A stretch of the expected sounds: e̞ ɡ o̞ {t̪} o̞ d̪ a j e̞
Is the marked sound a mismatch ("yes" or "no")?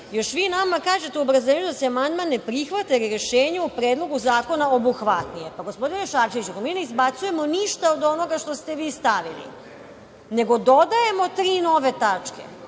yes